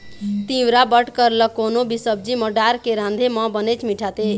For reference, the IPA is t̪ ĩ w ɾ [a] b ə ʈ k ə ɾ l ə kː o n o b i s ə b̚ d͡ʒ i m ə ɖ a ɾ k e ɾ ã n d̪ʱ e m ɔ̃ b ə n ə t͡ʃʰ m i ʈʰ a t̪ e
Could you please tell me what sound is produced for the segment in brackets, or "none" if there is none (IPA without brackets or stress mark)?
a